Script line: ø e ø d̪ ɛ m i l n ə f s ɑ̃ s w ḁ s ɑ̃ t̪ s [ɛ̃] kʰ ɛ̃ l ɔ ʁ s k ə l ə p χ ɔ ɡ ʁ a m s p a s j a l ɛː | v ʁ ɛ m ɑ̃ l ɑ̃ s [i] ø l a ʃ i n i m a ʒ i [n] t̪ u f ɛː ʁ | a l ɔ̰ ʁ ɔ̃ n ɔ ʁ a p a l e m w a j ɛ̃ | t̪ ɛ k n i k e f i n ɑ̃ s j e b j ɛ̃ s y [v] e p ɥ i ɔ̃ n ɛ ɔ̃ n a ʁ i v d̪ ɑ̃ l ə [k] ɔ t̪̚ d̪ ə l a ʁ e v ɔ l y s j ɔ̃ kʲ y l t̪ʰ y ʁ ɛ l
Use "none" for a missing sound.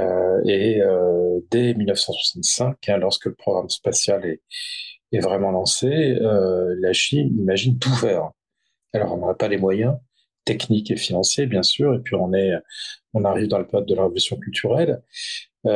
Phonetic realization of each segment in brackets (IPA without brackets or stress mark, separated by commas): ɛ̃, e, n, ʁ, p